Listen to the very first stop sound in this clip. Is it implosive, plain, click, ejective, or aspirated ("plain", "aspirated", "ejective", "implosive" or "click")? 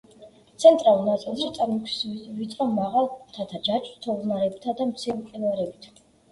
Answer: plain